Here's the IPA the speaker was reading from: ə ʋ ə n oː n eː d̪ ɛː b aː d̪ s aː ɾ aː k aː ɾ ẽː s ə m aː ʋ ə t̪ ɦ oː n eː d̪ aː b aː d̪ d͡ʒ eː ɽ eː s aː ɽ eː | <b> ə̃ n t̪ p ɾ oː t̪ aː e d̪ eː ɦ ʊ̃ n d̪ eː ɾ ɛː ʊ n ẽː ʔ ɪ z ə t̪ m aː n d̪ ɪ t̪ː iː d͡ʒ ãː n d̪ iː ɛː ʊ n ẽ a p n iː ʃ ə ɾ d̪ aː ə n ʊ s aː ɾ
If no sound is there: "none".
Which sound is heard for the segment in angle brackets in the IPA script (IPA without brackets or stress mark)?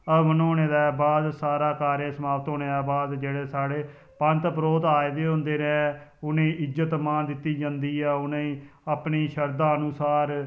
p